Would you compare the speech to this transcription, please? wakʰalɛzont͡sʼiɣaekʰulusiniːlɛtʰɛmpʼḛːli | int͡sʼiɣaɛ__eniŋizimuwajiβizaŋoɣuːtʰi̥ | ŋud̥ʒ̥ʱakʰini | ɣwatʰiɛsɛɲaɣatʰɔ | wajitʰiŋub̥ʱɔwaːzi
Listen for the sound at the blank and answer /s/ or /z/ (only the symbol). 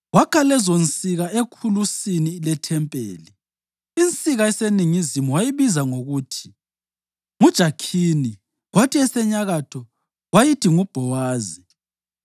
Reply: s